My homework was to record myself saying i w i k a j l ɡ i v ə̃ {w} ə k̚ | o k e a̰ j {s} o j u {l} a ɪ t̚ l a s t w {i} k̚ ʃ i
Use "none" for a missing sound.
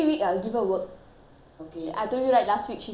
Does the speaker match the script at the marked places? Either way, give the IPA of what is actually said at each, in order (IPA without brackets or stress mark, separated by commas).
w, t, ɹ, i